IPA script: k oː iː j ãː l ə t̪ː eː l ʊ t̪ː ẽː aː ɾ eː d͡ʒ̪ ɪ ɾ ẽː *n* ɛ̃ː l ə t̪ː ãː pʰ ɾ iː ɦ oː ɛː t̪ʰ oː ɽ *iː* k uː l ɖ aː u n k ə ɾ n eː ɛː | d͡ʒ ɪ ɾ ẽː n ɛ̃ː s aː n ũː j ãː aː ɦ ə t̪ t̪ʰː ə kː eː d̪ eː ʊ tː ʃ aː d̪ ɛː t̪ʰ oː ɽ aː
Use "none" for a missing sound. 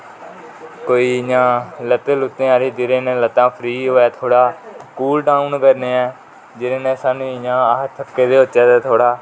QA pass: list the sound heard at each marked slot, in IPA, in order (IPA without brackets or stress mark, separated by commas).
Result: n, aː